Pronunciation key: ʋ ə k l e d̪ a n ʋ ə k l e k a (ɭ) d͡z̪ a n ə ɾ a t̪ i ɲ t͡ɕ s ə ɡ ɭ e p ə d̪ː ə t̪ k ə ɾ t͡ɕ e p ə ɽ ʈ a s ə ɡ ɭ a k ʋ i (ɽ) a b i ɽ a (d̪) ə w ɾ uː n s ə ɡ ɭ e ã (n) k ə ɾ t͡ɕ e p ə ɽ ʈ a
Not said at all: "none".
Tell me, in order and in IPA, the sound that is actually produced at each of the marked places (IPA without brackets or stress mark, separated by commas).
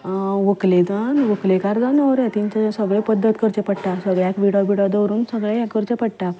ɾ, ɽ, d̪, none